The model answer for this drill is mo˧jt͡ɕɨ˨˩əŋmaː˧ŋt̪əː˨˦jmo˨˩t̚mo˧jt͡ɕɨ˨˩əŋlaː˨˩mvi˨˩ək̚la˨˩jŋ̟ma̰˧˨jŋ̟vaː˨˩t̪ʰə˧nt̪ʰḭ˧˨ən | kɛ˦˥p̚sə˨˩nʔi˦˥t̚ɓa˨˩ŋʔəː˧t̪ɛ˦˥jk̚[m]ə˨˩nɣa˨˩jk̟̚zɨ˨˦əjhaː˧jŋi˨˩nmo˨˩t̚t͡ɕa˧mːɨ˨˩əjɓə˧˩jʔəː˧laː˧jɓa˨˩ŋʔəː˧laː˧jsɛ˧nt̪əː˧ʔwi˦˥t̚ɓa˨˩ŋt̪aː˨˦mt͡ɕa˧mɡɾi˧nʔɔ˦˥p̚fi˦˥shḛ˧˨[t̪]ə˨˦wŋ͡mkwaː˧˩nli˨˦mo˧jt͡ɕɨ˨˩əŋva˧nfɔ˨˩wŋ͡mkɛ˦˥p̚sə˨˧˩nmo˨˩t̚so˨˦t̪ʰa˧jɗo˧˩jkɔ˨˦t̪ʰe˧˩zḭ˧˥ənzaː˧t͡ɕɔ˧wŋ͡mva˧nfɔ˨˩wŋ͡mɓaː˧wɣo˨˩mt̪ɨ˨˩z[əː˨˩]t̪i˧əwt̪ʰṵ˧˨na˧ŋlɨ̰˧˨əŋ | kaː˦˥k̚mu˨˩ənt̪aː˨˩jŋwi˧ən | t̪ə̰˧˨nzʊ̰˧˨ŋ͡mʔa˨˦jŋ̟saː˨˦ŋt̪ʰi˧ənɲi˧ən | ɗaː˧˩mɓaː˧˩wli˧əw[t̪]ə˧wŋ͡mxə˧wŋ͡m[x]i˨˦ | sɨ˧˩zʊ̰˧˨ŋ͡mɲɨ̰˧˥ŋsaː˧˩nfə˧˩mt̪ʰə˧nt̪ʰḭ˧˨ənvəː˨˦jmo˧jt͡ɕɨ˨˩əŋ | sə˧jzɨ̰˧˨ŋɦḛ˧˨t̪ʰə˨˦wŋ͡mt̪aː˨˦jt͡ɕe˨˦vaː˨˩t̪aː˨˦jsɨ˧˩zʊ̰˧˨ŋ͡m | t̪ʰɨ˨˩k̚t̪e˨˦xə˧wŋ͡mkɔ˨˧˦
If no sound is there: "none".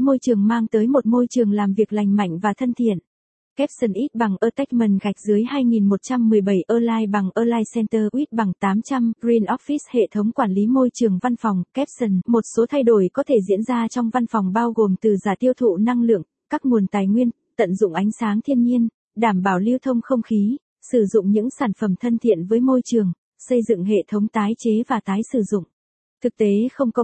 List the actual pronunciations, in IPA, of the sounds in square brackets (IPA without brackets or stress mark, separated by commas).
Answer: m, t̪ʰ, aː˨˩, t̪ʰ, x